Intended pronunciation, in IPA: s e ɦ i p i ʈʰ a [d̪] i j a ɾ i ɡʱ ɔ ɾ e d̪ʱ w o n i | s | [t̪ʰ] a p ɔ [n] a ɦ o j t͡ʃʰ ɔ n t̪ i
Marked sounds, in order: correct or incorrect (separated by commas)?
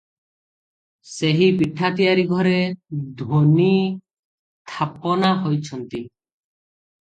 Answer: incorrect, correct, correct